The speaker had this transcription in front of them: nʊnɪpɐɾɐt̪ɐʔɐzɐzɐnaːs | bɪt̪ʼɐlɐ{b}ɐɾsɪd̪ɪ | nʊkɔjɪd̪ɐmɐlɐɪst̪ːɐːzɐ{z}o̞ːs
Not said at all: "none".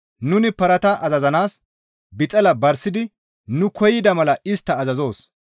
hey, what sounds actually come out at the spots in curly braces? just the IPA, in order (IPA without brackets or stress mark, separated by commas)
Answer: b, z